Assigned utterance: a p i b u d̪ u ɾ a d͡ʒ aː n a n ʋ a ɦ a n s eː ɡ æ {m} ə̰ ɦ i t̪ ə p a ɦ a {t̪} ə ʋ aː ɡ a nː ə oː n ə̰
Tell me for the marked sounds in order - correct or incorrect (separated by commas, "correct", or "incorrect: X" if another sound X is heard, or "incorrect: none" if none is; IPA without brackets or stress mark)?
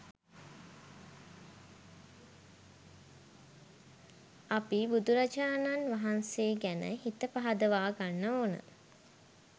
incorrect: n, incorrect: d̪